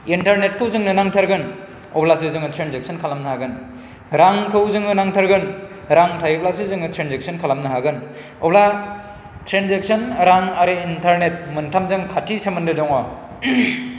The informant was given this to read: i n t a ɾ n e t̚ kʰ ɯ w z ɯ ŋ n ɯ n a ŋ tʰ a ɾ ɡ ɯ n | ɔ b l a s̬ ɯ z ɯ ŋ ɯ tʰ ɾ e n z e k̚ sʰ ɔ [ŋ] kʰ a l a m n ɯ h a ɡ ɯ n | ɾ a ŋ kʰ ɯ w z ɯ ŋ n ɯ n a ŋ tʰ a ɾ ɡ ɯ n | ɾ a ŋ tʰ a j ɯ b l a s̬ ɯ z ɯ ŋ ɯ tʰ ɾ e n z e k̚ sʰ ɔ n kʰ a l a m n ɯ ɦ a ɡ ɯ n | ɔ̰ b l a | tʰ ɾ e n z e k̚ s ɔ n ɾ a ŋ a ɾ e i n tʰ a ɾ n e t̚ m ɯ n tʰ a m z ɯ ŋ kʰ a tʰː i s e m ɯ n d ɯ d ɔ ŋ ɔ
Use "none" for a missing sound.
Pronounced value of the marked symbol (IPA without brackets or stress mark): n